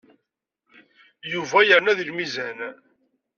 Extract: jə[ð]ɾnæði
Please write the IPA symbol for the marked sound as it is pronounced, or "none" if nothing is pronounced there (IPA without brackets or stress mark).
none